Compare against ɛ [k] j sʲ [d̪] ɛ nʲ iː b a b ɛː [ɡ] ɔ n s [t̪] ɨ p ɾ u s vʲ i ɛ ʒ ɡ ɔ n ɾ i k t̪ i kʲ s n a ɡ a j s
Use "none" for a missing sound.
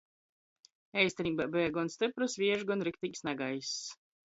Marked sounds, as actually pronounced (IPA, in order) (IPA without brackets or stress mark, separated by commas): none, t̪, ɡ, t̪